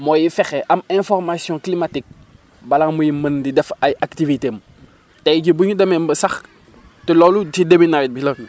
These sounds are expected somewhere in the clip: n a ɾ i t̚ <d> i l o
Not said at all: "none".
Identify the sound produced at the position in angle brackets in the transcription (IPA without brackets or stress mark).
b